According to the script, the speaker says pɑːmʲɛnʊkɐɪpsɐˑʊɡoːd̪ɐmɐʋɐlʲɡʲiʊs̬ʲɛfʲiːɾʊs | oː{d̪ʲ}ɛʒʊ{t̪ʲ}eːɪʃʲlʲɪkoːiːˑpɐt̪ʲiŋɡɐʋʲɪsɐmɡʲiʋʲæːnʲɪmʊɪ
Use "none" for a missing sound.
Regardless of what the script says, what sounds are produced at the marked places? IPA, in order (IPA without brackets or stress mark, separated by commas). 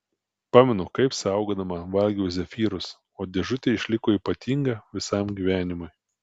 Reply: d̪ʲ, t̪ʲ